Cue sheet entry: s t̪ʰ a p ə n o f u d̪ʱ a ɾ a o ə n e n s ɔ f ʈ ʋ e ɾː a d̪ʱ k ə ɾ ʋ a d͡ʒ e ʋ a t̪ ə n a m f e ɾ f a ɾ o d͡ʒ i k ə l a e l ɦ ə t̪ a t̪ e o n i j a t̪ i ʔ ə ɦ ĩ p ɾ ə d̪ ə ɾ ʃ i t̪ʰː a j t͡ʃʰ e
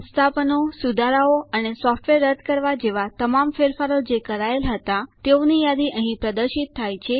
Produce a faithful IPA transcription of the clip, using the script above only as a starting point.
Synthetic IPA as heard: s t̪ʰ a p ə n o s u d̪ʱ a ɾ a o ə n e s ɔ f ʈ ʋ e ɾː ə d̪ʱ k ə ɾ ʋ a d͡ʒ e ʋ a t̪ ə m a m f e ɾ f a ɾ o d͡ʒ e k ə ɾ a e l ɦ ə t̪ a t̪ e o n i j a d̪ i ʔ ə ɦ ĩ p ɾ ə d̪ ə ɾ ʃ i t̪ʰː a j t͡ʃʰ e